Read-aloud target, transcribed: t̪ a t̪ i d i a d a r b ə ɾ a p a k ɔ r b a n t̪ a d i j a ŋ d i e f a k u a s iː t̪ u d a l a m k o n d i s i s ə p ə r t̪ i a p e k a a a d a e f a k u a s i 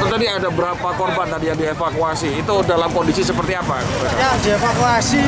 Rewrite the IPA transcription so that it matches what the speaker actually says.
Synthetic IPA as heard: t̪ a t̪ a d i a d a b ə ɾ a p a k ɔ r b a n t̪ a d i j a ŋ d i e f a k u a s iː t̪ u d a l a m k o n d i s i s ə p ə r t̪ i a p a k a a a d i e f a k u a s i